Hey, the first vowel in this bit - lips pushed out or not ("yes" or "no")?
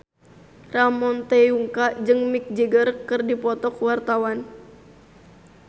no